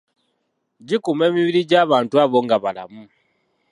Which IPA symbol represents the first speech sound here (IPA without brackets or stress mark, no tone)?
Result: ɟ